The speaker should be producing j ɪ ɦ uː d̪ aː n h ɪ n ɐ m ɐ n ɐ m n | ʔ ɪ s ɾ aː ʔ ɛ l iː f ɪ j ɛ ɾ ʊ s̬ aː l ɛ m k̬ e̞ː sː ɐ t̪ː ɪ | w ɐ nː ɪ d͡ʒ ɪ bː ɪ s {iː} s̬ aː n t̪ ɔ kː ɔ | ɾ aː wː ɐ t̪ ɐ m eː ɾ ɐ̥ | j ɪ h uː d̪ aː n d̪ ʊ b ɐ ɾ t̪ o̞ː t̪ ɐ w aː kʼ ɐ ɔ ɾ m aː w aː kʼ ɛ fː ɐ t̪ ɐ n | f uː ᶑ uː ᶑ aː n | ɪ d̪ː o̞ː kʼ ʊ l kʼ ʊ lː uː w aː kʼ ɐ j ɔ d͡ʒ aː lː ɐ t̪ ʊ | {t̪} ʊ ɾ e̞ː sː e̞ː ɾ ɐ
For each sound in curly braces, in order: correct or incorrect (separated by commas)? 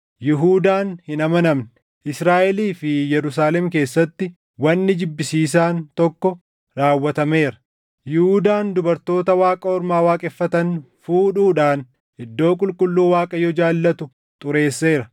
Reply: correct, incorrect